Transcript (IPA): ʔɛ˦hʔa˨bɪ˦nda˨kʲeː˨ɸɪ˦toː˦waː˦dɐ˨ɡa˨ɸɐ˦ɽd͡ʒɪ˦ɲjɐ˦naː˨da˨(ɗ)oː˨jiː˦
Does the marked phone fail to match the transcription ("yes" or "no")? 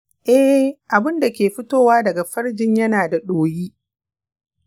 no